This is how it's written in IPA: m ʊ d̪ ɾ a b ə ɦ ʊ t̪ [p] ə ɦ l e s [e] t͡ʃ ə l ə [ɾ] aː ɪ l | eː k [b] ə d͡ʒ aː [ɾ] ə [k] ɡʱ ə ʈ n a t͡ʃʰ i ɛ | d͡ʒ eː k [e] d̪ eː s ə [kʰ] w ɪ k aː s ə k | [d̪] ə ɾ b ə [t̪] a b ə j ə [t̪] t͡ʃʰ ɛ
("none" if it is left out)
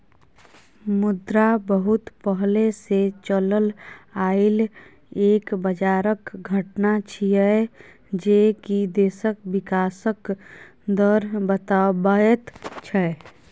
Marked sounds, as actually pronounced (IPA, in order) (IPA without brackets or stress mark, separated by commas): p, e, l, b, ɾ, k, i, k, d̪, t̪, t̪